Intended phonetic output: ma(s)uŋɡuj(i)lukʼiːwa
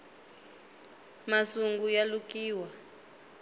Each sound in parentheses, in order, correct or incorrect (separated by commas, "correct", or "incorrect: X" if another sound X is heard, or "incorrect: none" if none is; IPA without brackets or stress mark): correct, incorrect: a